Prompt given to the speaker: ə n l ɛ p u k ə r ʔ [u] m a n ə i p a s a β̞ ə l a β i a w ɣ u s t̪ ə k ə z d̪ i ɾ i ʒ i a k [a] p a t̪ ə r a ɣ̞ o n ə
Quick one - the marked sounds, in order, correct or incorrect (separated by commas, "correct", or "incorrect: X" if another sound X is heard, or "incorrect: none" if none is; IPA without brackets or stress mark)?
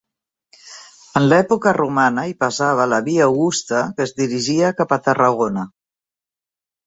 correct, correct